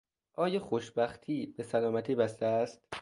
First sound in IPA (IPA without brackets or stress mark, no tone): ʔ